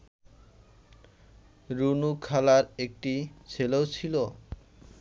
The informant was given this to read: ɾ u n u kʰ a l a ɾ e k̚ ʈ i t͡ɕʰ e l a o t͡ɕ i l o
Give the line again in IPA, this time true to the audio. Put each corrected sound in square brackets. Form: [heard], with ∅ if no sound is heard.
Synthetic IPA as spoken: ɾ u n u kʰ a l a ɾ e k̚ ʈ i t͡ɕʰ e l [e] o [t͡ɕʰ] i l o